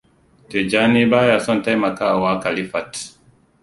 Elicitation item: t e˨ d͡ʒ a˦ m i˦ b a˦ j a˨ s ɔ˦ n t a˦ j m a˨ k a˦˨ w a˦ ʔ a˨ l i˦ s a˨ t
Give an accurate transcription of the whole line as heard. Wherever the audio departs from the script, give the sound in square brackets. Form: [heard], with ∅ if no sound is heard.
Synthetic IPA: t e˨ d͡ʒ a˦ [n] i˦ b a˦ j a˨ s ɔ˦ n t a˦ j m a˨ k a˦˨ w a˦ [k] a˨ l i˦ [f] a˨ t